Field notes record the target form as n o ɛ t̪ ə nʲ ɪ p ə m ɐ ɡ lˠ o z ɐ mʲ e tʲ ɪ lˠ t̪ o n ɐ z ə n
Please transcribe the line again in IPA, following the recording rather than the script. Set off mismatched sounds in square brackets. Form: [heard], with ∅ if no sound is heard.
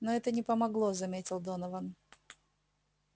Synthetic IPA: n o ɛ t̪ ə nʲ ɪ p ə m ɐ ɡ lˠ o z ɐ mʲ e tʲ ɪ lˠ [d̪] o n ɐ [v] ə n